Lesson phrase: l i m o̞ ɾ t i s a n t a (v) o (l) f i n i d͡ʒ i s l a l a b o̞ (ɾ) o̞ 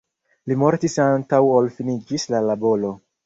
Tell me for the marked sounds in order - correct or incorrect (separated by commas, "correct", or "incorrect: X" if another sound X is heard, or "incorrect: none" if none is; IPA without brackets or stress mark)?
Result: incorrect: w, correct, incorrect: l